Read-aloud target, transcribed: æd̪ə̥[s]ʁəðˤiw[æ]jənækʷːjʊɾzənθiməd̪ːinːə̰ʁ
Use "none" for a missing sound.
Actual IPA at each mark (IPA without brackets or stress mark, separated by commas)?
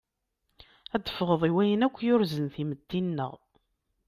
f, æ